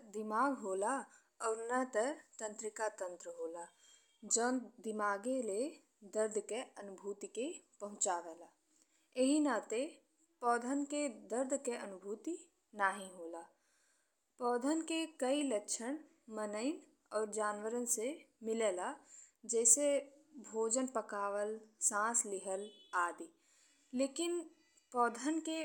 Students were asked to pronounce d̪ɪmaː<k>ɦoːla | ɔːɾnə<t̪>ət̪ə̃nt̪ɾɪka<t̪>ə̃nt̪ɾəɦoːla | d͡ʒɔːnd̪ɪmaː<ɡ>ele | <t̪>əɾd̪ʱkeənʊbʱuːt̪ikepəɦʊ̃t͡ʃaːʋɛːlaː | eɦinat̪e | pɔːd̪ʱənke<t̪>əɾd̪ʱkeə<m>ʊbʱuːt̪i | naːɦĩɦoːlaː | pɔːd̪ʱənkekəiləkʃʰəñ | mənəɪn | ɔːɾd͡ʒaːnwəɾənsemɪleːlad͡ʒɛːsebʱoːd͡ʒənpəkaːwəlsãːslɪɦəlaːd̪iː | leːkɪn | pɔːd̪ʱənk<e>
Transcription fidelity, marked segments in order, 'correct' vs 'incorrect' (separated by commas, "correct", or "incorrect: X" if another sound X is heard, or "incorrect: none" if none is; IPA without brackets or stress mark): incorrect: ɡ, correct, correct, correct, incorrect: d̪, incorrect: d̪, incorrect: n, correct